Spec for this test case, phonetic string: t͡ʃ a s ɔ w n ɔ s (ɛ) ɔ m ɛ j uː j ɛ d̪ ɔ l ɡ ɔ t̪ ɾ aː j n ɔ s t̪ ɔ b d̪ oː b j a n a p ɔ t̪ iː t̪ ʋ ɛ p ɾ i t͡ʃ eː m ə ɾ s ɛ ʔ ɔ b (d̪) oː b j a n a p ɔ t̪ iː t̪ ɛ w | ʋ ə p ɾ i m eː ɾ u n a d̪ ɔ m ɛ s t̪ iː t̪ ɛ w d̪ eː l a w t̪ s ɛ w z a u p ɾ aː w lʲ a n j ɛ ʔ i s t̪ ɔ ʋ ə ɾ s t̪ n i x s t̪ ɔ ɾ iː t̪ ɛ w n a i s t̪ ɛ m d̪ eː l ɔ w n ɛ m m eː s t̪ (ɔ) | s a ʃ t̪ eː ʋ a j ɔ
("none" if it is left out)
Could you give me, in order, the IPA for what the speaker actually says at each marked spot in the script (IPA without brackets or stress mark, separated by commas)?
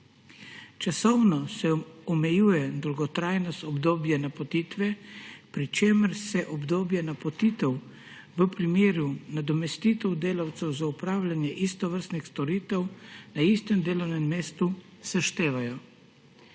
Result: ɛ, d̪, u